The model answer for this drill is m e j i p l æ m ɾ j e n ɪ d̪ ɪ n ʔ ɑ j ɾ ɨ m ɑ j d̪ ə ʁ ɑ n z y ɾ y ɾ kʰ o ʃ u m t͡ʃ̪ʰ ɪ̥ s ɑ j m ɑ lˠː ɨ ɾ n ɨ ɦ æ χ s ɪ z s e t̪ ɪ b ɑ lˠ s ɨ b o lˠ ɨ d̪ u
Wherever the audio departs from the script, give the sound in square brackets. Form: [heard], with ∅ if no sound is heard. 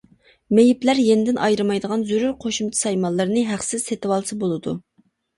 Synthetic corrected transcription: m e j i p l æ [∅] ɾ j e n ɪ d̪ ɪ n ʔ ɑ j ɾ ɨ m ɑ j d̪ ə ʁ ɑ n z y ɾ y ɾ [qʰ] o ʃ u m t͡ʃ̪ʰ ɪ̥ s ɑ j m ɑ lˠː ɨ ɾ n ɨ ɦ æ χ s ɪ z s e t̪ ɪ [w] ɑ lˠ s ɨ b o lˠ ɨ d̪ u